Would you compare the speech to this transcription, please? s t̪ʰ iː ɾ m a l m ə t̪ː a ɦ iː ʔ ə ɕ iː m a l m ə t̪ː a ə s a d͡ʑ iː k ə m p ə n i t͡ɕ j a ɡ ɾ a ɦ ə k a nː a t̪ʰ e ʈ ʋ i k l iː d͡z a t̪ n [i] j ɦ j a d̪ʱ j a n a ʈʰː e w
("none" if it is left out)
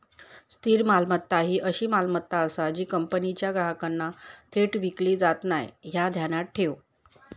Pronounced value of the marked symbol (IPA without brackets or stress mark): a